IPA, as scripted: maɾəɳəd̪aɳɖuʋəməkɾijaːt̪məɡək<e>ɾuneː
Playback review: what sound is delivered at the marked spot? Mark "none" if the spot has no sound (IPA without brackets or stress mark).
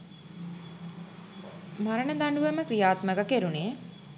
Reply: e